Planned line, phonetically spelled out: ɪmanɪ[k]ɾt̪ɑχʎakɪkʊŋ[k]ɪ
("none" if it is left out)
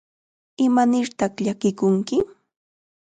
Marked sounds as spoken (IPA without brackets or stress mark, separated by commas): none, k